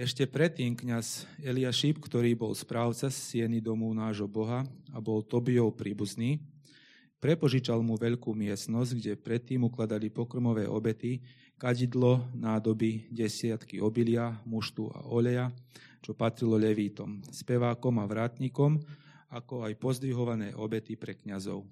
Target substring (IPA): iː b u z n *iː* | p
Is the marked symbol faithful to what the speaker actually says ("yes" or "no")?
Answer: yes